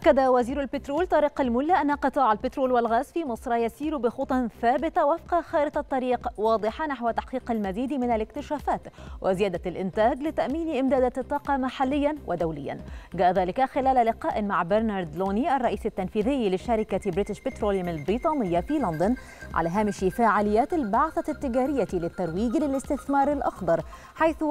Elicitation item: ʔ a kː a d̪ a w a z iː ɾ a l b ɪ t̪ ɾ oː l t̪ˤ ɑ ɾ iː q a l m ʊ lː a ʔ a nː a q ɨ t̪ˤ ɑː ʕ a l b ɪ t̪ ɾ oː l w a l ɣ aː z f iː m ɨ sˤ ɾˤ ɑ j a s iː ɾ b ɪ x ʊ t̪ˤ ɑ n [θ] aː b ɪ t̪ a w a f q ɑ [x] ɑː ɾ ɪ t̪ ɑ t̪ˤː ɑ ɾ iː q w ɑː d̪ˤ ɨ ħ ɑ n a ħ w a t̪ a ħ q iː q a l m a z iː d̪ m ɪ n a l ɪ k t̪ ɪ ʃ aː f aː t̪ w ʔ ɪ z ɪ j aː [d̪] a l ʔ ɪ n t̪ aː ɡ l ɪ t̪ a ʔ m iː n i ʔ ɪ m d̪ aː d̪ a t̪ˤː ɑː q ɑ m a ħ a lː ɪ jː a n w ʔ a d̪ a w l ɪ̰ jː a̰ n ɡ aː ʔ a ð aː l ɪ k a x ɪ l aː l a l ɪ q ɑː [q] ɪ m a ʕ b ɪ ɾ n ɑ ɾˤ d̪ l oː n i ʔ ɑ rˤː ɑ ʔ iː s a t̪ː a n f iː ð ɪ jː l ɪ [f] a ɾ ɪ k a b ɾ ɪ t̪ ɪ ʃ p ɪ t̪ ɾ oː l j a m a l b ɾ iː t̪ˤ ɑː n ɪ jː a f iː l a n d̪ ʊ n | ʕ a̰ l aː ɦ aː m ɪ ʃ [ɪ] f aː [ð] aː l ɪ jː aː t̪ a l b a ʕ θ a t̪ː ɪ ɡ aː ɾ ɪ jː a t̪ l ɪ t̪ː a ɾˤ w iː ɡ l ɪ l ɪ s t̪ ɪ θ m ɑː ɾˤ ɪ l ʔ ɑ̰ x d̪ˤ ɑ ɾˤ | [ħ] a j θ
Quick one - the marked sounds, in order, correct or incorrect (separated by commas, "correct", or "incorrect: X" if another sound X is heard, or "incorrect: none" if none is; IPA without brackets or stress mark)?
correct, correct, correct, incorrect: ʔ, incorrect: ʃ, incorrect: i, incorrect: ʕ, correct